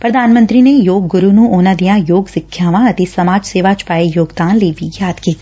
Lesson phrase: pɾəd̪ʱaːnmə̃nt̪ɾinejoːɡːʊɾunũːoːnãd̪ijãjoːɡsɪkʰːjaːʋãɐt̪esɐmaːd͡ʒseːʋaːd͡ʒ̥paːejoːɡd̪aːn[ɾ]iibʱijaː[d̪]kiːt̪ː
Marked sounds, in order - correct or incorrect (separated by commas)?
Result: incorrect, correct